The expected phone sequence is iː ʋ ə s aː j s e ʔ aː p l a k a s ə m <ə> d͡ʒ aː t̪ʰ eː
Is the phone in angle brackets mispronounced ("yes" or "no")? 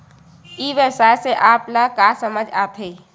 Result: no